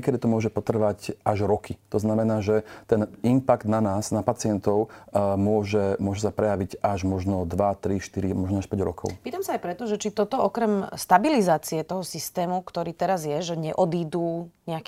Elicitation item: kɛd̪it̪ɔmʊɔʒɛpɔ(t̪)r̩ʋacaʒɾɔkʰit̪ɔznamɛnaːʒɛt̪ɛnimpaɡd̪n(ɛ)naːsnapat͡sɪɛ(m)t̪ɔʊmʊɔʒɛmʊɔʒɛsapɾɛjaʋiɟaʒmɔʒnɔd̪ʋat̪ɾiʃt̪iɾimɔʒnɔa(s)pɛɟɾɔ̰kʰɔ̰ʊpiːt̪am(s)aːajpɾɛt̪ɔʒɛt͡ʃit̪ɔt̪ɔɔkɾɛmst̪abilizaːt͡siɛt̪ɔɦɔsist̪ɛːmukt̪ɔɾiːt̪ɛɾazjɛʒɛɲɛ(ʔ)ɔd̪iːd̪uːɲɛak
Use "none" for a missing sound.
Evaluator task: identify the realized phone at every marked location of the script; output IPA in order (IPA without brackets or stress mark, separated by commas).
t̪, a, n, ʃ, s, ʔ